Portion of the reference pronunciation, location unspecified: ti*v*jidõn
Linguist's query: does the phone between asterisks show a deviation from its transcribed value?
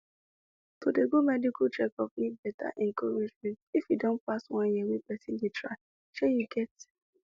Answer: yes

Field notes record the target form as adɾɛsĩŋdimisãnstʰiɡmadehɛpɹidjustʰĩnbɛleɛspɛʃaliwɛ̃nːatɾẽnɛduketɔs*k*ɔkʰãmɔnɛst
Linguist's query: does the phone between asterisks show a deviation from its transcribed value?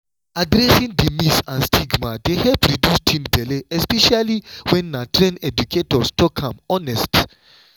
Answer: yes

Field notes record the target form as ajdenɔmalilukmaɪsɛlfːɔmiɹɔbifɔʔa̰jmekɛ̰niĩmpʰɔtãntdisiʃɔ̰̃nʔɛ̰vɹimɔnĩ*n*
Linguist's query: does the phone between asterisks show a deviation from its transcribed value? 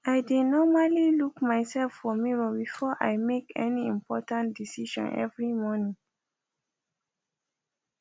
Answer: yes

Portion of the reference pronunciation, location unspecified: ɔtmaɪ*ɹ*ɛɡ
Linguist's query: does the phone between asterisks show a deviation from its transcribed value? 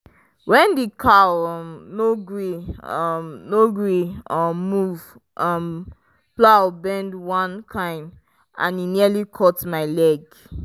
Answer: yes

